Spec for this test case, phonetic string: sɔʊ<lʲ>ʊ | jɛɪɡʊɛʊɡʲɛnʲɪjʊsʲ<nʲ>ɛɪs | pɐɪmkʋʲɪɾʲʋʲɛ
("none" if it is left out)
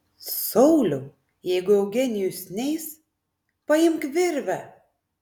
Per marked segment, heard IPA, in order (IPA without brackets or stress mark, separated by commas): lʲ, nʲ